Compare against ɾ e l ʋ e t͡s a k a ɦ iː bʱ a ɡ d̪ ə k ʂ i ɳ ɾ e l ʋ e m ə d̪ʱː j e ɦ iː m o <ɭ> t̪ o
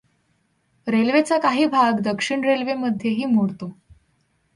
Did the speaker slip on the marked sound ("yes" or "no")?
yes